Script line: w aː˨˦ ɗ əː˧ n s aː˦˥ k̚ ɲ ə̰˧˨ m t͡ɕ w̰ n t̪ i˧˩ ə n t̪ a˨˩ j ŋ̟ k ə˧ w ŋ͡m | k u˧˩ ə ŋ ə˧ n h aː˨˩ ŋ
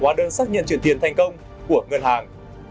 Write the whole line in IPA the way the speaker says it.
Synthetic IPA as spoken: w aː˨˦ ɗ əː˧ n s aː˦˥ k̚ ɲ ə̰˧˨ n t͡ɕ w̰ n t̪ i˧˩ ə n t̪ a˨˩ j ŋ̟ k ə˧ w ŋ͡m | k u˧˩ ə ŋ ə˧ n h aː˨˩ ŋ